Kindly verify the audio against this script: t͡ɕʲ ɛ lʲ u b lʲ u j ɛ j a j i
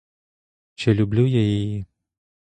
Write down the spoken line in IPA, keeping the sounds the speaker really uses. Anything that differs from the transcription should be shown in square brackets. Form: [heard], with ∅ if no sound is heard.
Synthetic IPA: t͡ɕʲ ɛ lʲ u b lʲ u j [a] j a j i